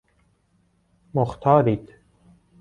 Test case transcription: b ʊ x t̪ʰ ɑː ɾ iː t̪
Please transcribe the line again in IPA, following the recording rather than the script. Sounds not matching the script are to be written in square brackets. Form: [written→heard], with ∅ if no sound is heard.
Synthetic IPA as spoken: [b→m] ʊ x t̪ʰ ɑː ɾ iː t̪